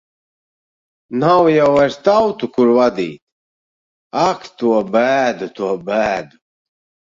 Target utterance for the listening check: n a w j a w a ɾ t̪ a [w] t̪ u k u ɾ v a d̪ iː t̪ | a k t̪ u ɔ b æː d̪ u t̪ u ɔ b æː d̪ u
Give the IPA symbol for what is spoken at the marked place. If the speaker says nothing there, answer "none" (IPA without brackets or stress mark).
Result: w